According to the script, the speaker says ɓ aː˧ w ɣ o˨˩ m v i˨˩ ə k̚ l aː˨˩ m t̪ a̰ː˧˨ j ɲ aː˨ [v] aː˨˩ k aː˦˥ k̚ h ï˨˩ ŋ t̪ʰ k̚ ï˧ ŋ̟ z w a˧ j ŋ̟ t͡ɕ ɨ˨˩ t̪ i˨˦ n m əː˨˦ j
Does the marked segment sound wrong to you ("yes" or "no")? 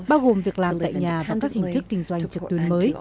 no